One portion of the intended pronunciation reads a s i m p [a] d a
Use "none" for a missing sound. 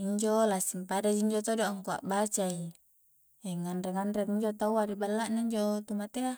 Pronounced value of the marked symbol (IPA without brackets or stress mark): a